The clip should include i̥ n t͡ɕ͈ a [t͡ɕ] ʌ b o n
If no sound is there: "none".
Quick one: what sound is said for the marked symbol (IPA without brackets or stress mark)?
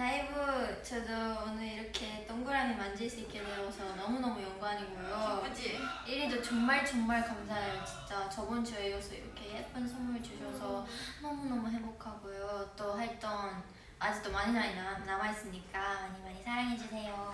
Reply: t͡ɕ